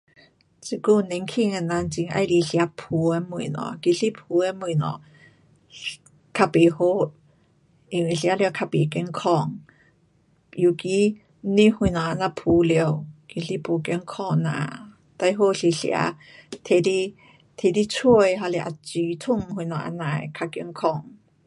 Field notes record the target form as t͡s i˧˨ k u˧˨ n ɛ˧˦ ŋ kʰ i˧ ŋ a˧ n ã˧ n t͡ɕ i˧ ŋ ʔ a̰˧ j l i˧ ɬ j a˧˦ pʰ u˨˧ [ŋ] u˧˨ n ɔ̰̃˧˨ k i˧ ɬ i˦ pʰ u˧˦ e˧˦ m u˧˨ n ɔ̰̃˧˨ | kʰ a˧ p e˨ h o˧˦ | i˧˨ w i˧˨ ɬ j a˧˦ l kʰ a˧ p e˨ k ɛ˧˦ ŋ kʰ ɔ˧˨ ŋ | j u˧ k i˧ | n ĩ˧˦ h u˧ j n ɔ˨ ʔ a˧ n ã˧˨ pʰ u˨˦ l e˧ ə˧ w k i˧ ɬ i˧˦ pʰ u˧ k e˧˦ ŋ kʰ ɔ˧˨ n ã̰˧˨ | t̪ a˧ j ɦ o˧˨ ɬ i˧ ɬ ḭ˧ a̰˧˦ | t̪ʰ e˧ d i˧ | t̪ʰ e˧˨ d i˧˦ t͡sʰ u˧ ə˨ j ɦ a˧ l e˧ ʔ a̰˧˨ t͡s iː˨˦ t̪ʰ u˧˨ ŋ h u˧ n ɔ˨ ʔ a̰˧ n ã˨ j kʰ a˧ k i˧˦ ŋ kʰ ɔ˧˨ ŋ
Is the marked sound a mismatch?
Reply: yes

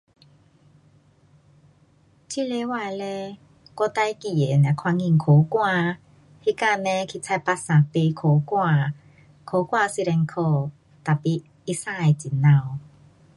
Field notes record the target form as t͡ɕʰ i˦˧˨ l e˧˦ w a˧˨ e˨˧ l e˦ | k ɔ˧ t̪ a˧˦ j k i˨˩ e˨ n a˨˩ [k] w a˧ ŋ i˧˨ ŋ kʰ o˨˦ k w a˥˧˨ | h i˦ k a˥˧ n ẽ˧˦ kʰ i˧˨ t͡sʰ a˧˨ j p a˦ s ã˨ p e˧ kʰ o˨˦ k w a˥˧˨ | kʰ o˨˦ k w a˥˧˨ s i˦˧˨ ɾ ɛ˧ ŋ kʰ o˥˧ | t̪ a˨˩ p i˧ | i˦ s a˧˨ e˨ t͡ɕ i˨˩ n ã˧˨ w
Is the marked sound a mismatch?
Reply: yes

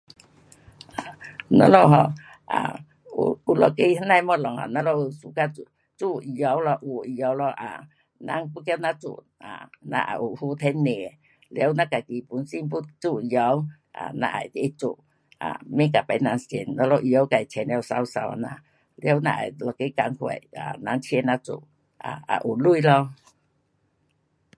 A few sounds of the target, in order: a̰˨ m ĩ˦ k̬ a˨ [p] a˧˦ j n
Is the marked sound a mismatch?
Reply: no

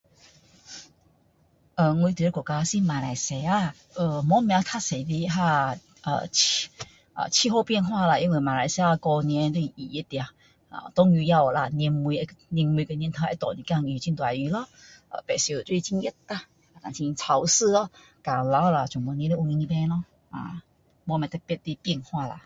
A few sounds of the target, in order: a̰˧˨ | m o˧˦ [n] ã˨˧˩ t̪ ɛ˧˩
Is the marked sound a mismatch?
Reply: yes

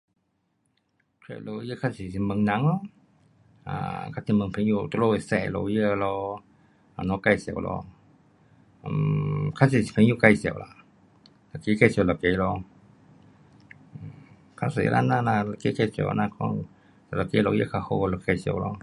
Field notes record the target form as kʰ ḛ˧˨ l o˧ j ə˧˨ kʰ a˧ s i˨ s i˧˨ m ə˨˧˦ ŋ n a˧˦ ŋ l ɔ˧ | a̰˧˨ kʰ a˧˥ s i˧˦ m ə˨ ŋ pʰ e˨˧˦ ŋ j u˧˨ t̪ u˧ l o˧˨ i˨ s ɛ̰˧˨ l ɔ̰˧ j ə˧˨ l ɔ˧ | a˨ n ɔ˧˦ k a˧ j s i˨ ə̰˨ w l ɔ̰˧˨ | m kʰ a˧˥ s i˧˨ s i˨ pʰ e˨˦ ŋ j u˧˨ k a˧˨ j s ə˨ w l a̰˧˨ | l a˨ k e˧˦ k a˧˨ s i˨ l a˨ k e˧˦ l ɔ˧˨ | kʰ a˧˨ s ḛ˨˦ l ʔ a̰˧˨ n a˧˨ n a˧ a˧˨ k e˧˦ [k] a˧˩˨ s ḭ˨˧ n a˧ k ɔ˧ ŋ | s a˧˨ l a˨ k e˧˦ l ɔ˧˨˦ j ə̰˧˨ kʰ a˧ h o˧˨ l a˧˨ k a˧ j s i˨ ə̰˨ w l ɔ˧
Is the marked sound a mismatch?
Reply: no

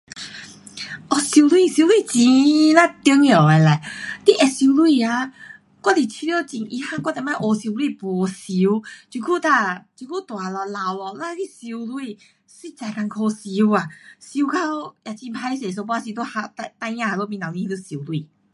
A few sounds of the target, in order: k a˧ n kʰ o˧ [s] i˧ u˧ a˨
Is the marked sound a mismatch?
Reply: no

